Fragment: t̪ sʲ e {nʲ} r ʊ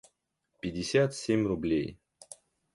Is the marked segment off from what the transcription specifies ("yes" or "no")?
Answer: yes